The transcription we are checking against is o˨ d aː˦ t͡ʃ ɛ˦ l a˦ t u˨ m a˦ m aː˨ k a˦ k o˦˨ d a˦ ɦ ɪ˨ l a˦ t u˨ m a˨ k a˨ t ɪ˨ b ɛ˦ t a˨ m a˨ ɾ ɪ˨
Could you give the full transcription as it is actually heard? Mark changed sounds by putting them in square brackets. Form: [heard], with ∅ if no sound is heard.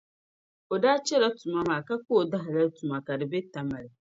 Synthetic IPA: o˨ d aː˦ t͡ʃ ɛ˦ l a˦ t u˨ m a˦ m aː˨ k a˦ k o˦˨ d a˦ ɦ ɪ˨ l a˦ t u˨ m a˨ k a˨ [d] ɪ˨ b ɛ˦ t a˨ m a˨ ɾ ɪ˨